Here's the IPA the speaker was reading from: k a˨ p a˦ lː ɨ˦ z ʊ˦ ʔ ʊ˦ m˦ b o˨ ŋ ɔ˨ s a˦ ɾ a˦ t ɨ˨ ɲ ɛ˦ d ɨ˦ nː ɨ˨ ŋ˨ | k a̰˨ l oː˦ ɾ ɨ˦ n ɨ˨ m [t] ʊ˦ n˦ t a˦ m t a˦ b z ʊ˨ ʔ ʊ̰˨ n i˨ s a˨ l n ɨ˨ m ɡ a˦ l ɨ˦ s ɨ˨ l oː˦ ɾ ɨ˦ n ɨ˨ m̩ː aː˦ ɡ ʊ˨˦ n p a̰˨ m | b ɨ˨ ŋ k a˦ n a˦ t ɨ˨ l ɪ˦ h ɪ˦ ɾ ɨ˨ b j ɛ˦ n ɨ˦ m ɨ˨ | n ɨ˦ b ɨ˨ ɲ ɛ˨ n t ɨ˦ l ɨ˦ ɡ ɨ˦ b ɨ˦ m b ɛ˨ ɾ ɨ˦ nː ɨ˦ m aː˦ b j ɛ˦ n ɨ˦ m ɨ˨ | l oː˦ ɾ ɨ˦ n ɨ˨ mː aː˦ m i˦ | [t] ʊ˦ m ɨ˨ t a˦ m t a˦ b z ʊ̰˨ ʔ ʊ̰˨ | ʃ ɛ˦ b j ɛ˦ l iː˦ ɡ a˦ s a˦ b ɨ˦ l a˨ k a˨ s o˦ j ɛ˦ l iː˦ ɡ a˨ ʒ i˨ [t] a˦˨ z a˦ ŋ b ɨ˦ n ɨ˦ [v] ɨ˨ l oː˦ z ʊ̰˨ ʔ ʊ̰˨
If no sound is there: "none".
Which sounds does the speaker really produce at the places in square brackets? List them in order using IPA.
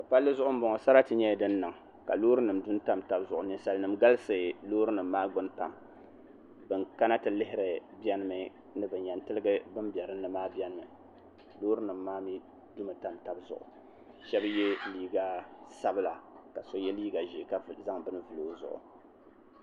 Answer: d, d, k, v

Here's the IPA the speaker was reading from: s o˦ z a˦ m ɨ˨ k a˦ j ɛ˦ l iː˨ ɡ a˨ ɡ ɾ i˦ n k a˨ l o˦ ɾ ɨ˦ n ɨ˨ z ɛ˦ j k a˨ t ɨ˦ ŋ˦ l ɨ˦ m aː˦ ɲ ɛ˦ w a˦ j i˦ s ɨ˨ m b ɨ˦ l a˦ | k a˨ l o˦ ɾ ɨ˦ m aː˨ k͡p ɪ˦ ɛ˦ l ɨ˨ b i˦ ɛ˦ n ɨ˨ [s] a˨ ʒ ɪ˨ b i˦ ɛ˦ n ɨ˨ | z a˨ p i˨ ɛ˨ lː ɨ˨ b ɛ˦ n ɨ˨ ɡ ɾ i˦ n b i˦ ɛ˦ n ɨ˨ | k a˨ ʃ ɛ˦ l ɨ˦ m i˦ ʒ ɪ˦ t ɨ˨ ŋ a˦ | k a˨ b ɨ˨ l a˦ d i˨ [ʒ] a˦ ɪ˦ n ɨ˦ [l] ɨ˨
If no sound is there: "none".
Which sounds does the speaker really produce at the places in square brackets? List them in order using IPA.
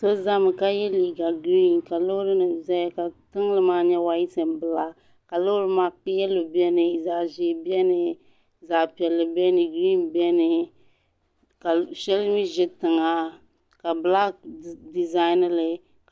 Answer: z, z, l

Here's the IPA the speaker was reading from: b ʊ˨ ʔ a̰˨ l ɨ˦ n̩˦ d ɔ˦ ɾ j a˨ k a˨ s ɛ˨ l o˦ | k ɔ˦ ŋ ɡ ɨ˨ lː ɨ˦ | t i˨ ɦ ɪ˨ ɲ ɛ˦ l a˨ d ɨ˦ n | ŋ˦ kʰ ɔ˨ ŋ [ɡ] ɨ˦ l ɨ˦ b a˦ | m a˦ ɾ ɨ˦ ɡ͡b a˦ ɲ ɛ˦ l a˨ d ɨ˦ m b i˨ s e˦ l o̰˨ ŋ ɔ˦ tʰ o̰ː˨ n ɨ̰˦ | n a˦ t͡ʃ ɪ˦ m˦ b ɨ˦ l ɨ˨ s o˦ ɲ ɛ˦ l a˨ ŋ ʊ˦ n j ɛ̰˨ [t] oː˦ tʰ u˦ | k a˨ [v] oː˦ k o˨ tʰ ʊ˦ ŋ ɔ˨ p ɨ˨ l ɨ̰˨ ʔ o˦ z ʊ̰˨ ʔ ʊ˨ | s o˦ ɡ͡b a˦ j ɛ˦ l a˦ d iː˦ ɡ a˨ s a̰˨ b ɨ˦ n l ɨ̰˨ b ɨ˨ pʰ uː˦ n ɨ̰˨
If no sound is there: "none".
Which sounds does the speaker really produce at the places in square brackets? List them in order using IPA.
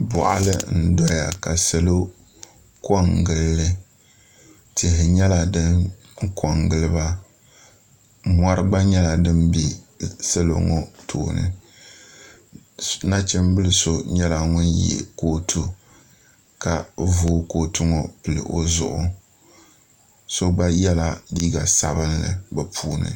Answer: ɡ, k, v

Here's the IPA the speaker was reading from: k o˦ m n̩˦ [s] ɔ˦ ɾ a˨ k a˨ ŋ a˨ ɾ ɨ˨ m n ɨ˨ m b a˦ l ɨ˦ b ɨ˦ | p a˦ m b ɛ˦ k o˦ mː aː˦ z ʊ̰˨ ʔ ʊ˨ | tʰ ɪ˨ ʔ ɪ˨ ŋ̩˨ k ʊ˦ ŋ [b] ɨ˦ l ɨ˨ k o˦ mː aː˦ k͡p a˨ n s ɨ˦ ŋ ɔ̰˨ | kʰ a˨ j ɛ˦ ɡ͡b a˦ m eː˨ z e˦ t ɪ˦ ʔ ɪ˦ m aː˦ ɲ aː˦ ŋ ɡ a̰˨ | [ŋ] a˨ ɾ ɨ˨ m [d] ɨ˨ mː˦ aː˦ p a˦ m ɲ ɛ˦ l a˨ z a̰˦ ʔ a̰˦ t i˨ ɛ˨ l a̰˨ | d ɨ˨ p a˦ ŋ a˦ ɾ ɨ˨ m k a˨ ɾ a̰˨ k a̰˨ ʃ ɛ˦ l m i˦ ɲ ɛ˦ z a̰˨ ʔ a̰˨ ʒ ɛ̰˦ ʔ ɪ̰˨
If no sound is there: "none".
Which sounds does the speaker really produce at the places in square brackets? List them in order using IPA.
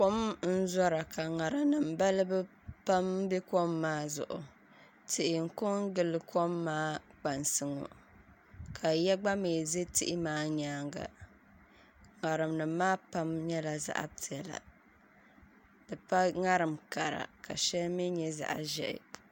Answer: z, ɡ, ŋ, n

